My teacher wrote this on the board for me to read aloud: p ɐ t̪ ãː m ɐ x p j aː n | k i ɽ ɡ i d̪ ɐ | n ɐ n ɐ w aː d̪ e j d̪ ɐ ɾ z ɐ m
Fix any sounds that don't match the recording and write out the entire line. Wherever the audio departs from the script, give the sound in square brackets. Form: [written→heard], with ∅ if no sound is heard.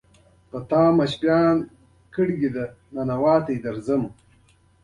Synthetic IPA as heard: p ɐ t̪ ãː m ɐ [x→ɕ] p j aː n | k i ɽ ɡ i d̪ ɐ | n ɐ n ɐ w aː [d̪→t̪] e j d̪ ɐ ɾ z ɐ m

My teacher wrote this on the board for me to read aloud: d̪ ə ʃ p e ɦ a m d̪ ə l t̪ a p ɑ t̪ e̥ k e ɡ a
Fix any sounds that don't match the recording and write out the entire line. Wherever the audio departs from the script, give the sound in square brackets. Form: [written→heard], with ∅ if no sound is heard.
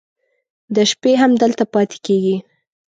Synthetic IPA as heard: d̪ ə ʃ p e ɦ a m d̪ ə l t̪ a p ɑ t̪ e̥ k e ɡ [a→i]

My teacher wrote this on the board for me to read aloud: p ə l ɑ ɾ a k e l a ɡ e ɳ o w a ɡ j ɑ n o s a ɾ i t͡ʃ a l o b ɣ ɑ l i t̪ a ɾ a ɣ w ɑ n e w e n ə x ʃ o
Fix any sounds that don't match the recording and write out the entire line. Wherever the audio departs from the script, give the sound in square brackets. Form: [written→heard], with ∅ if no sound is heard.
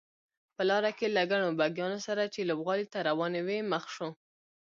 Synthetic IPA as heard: p ə l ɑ ɾ a k e l a ɡ [e→a] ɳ o [w→b] a ɡ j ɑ n o s a ɾ [i→a] t͡ʃ [a→e] l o b ɣ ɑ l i t̪ a ɾ a [ɣ→∅] w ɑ n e w e [n→m] ə x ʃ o

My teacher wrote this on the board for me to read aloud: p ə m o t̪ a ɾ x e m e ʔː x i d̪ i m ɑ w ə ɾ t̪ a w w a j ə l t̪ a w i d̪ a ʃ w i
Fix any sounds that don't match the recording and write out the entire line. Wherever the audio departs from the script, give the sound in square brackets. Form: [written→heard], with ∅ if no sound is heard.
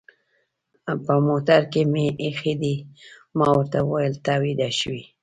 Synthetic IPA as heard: p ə m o t̪ a ɾ [x→k] e m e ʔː x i d̪ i m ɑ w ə ɾ t̪ a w w a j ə l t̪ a w i d̪ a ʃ w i

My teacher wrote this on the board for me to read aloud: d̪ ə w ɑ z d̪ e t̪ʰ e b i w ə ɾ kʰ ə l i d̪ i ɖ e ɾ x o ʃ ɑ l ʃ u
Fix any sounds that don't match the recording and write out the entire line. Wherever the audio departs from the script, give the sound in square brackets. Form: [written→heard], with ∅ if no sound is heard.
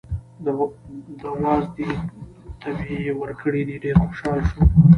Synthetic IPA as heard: d̪ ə w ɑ z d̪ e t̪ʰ [e→a] b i w ə ɾ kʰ ə [l→ɽ] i d̪ i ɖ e ɾ x o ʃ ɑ l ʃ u

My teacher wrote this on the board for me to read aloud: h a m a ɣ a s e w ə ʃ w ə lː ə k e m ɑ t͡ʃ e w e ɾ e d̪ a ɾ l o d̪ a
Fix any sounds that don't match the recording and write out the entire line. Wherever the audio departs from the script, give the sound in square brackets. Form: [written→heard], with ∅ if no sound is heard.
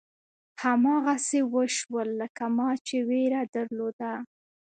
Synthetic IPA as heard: h a m [a→ɑ] ɣ a s e w ə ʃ w ə lː ə k [e→a] m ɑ t͡ʃ e w e ɾ [e→a] d̪ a ɾ l o d̪ a

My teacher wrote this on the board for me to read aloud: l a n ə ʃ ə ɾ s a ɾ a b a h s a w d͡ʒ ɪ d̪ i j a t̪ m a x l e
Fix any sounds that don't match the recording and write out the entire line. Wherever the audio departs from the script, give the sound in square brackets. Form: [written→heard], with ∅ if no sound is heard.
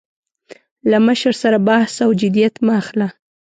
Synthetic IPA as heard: l a [n→m] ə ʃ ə ɾ s a ɾ a b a h s a w d͡ʒ ɪ d̪ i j a t̪ m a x l [e→a]

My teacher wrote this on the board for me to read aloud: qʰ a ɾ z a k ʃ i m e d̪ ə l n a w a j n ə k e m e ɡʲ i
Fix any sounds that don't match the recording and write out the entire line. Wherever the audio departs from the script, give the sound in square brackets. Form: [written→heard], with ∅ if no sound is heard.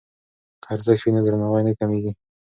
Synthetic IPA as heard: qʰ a ɾ z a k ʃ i [m→n] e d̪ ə [l→ɾ] n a w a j n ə k [e→a] m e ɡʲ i

